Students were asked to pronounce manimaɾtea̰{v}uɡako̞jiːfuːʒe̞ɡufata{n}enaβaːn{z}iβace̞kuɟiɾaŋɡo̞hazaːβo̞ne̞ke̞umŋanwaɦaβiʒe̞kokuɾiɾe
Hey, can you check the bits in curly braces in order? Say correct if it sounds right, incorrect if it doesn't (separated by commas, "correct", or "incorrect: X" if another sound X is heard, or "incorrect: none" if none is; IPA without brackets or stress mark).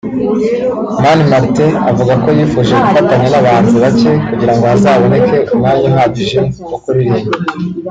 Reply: correct, incorrect: ɲ, correct